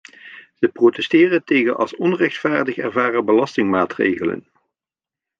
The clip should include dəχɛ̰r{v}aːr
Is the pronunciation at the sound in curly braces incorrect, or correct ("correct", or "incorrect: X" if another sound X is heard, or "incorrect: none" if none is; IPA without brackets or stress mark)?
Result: correct